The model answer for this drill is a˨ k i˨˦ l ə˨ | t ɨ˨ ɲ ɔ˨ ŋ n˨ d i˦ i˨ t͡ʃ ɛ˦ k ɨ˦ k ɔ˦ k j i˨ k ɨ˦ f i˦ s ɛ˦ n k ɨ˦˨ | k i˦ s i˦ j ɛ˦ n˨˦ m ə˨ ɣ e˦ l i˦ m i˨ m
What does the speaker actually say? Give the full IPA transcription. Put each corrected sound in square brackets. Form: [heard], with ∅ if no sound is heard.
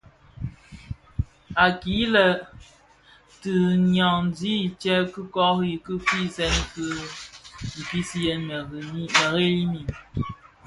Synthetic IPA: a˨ k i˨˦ l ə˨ | t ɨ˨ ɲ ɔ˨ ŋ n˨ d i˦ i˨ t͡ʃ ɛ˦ k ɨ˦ k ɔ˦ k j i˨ k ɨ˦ f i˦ s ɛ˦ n k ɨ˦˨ | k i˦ s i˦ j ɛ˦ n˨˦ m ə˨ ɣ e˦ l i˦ m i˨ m